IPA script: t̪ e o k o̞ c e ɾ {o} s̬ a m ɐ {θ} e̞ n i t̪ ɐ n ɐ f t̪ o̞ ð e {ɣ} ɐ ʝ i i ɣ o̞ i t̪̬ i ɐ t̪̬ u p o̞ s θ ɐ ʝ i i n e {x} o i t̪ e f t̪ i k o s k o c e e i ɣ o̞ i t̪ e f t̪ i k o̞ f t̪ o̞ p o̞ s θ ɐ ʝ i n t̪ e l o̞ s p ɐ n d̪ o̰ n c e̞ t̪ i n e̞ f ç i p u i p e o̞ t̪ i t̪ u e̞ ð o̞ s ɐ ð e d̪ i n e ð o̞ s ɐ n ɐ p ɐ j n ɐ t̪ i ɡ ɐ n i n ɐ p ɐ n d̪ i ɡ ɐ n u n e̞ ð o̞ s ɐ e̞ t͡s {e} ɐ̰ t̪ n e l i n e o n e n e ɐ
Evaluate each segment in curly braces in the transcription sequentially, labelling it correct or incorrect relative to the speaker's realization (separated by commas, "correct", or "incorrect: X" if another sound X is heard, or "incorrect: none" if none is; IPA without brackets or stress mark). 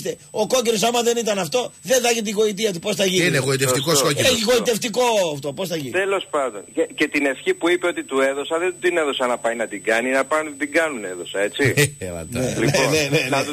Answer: correct, incorrect: ð, incorrect: ð, incorrect: ɣ, incorrect: i